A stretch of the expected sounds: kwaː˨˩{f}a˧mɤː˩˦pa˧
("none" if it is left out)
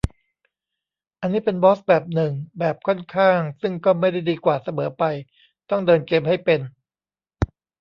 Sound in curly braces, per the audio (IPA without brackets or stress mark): s